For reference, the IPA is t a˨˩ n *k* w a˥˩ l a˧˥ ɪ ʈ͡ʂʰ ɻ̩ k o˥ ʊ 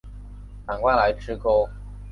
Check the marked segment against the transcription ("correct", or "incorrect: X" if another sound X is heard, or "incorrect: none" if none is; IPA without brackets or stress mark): correct